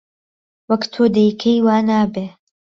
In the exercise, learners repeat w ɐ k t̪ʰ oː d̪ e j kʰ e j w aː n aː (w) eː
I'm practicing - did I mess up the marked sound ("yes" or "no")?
yes